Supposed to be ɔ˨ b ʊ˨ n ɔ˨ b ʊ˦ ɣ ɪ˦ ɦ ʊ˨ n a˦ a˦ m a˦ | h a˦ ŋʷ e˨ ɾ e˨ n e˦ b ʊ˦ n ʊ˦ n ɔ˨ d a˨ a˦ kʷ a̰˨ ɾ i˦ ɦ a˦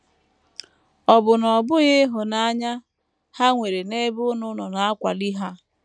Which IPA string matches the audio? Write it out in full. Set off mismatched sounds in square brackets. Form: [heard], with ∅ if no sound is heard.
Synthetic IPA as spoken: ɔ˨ b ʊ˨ n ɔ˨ b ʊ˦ ɣ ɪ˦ ɦ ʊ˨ n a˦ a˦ [ɲ] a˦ | h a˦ ŋʷ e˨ ɾ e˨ n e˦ b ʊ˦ n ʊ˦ n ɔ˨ [n] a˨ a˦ kʷ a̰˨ [l] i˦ ɦ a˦